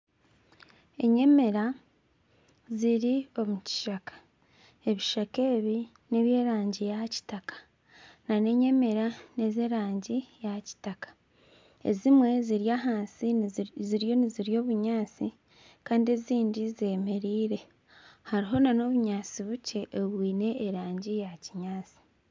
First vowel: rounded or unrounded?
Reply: unrounded